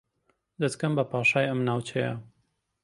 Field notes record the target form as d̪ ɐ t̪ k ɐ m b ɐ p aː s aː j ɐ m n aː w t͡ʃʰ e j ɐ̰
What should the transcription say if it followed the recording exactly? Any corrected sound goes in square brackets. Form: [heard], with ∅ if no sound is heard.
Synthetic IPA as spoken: d̪ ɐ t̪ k ɐ m b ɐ p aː [ʃ] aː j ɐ m n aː w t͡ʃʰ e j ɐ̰